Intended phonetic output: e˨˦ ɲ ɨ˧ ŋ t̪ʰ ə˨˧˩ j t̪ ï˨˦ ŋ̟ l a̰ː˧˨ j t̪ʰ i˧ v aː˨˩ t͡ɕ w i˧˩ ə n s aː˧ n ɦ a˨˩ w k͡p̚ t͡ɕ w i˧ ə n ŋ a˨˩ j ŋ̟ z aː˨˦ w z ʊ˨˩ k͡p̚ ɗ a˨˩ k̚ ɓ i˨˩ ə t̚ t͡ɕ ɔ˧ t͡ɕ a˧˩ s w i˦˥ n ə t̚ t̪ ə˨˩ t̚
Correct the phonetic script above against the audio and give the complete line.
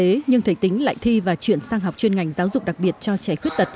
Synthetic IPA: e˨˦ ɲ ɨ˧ ŋ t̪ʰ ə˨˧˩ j t̪ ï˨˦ ŋ̟ l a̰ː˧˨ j t̪ʰ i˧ v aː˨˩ t͡ɕ w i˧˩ ə n s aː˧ ŋ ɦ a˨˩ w k͡p̚ t͡ɕ w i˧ ə n ŋ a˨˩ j ŋ̟ z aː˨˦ w z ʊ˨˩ k͡p̚ ɗ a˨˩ k̚ ɓ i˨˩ ə t̚ t͡ɕ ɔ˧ t͡ɕ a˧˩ x w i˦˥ ə t̚ t̪ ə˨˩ t̚